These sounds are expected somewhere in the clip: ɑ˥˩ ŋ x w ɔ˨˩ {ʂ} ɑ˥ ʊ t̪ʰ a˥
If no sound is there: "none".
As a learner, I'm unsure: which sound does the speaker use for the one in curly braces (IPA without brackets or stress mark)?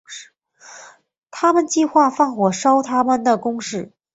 ʂ